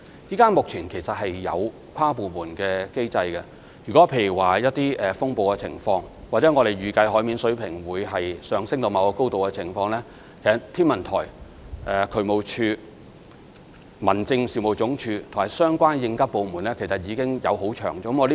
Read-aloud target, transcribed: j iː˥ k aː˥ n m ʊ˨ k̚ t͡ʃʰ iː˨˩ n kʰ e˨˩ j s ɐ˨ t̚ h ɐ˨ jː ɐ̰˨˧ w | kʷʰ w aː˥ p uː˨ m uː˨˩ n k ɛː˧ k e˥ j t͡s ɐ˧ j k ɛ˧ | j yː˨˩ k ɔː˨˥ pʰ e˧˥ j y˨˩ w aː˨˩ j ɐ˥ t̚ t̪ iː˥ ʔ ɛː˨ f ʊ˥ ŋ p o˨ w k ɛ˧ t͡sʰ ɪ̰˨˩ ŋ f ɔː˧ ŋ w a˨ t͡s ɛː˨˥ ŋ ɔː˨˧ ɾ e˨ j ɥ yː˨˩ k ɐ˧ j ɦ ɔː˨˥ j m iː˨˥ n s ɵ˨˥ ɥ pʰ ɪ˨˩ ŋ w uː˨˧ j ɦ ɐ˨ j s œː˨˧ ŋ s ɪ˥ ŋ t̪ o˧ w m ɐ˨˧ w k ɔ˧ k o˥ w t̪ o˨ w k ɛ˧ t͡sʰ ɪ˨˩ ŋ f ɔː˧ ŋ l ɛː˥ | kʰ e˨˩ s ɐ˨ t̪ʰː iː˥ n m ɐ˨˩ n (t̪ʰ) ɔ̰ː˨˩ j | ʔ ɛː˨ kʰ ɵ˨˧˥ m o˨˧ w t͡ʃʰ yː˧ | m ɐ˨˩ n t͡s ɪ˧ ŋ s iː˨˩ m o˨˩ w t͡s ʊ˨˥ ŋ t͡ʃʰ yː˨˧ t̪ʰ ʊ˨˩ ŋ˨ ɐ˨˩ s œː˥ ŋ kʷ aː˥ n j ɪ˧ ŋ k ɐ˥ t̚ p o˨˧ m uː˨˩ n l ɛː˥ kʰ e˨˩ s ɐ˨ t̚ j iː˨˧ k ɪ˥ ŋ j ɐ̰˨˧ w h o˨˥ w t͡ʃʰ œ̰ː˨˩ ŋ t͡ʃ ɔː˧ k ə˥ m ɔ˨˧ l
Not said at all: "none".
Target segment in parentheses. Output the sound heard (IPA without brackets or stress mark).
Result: t̪ʰ